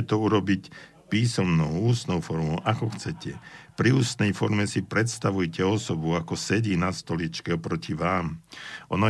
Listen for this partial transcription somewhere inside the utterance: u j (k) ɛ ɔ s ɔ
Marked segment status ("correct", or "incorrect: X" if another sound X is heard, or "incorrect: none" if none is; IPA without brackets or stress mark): incorrect: c